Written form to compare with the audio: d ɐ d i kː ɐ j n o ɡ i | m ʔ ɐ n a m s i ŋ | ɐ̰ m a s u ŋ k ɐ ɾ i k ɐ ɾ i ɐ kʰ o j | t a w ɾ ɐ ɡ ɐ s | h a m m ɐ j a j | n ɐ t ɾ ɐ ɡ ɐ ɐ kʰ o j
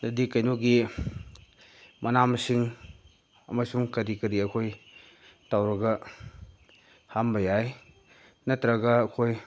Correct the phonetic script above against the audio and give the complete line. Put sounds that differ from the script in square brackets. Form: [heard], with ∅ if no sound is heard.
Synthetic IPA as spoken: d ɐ d i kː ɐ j n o ɡ i | m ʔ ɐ n a m s i ŋ | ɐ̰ m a s u ŋ k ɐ ɾ i k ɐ ɾ i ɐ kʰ o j | t a w ɾ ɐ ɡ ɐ [∅] | h a m [b] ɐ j a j | n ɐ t ɾ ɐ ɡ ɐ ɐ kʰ o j